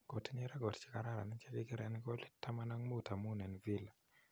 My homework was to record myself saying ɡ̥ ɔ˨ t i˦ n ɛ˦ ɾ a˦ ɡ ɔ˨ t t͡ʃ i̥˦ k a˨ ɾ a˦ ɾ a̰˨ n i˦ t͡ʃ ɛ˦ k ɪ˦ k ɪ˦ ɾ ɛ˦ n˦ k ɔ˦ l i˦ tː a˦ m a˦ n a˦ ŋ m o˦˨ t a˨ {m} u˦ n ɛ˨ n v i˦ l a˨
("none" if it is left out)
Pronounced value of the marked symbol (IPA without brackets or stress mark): m